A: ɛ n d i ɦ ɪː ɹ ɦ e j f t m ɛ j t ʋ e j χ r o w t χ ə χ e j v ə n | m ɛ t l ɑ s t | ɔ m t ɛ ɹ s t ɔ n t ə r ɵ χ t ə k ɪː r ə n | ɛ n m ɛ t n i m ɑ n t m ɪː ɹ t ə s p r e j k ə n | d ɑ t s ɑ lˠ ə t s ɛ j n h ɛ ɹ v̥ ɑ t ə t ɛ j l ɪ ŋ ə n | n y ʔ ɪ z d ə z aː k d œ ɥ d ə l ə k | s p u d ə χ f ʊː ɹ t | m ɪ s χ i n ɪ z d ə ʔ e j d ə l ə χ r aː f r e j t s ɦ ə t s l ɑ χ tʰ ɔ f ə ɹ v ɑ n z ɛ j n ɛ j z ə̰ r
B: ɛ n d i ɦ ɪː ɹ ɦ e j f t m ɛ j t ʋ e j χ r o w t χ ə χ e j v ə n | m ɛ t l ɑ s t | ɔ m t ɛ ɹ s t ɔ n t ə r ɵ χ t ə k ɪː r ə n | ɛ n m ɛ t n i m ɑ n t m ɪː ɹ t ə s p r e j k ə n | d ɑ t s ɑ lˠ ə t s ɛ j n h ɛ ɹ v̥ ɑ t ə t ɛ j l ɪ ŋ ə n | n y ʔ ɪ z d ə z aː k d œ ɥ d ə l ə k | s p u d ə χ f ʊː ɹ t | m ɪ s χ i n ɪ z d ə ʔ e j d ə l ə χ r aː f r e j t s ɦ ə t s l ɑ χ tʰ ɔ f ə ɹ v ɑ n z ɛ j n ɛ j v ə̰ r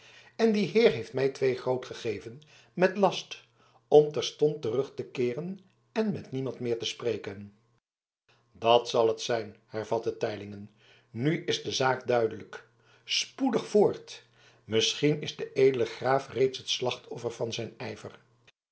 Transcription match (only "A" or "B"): B